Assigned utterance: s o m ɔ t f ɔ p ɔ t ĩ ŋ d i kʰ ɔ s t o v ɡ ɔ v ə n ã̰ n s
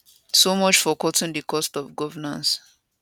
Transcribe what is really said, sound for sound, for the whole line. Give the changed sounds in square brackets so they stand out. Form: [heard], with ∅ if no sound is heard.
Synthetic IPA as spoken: s o m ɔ [t͡ʃ] f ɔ [k] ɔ t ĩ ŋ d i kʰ ɔ s t [ɔ] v ɡ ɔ v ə n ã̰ n s